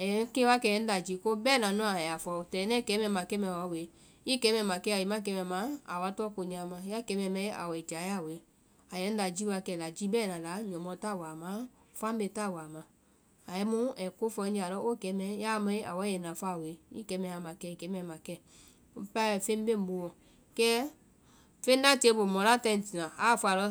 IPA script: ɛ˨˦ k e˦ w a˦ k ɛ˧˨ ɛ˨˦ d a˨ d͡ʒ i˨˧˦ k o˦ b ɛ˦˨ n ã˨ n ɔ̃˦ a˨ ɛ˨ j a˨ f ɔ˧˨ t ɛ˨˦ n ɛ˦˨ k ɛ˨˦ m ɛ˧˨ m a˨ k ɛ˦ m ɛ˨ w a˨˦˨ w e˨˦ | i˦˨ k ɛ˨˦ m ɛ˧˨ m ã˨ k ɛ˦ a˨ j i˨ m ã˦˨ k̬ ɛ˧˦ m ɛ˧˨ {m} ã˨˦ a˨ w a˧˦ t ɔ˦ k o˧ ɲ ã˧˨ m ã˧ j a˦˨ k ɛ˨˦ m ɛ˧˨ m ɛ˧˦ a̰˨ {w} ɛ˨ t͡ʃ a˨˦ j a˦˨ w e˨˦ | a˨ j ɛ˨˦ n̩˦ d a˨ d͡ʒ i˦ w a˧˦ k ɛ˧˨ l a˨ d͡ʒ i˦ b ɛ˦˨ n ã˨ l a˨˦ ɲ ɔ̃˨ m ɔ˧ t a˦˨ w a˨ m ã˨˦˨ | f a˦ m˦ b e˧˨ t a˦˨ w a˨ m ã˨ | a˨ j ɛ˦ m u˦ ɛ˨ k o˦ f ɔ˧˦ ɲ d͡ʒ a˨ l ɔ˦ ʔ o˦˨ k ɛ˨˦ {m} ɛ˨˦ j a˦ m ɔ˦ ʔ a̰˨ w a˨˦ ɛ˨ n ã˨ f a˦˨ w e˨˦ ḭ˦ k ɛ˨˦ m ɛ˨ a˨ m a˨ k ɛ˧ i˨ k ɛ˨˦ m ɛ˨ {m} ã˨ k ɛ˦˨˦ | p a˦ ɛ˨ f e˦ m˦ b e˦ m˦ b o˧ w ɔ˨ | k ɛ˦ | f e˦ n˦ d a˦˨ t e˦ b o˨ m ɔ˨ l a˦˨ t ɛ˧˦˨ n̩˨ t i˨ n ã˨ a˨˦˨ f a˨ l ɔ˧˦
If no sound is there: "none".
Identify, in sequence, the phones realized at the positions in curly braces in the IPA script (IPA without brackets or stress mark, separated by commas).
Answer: m, w, m, m